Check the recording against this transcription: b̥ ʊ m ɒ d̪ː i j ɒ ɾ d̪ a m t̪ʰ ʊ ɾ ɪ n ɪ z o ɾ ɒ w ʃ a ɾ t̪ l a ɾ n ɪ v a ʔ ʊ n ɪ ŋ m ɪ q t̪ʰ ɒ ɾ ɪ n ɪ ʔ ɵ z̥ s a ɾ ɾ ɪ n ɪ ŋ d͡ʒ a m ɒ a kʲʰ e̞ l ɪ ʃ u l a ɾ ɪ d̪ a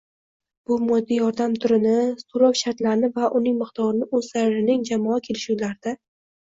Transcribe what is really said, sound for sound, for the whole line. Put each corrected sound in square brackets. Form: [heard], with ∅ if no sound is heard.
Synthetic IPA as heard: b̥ ʊ m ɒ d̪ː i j ɒ ɾ d̪ a m t̪ʰ ʊ ɾ ɪ n ɪ [s] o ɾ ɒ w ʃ a ɾ t̪ l a ɾ n ɪ v a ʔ ʊ n ɪ ŋ m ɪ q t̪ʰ ɒ ɾ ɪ n ɪ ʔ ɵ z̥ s a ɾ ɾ ɪ n ɪ ŋ d͡ʒ a m ɒ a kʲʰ e̞ l ɪ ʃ u l a ɾ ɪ d̪ a